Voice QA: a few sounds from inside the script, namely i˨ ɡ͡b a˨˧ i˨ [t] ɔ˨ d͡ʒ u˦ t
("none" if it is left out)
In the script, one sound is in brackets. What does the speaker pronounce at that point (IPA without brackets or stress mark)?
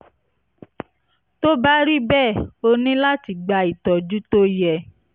t